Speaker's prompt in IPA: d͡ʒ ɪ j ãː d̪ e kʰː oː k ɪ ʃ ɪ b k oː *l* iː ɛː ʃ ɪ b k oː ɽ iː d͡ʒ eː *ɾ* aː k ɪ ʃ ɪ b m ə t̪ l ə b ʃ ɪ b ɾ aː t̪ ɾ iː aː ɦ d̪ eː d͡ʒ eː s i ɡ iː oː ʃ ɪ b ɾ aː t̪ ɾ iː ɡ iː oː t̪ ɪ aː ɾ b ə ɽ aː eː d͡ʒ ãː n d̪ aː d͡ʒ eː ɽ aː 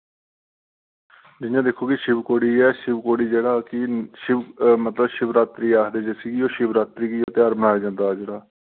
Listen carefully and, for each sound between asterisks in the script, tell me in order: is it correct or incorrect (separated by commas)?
incorrect, incorrect